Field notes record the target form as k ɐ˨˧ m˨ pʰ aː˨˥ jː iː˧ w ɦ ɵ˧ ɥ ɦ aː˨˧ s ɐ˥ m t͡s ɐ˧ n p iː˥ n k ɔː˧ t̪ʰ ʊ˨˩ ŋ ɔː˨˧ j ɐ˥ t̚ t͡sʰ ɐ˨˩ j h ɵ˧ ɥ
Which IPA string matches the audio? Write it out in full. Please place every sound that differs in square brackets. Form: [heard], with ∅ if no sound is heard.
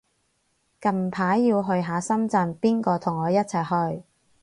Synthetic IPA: k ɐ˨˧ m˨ pʰ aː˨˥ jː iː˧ w ɦ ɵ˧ ɥ ɦ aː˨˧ s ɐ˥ m t͡s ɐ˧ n p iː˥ n k ɔː˧ t̪ʰ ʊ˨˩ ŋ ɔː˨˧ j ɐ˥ t̚ t͡sʰ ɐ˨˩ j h ɵ˧ ɥ